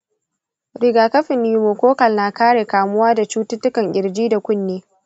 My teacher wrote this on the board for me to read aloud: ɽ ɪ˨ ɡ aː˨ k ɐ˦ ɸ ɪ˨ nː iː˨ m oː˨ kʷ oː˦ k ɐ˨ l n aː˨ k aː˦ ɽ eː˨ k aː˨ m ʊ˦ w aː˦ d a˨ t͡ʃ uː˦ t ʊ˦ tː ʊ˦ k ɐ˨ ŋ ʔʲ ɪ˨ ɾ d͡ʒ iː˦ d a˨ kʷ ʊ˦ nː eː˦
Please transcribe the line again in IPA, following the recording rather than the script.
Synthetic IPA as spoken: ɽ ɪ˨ ɡ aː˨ k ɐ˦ ɸ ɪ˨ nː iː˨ m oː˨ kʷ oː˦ k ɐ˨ l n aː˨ k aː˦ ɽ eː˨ k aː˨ m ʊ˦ w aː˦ d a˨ t͡ʃ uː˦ t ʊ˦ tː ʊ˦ k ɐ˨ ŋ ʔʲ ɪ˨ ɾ d͡ʒ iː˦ d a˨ kʷ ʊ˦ nː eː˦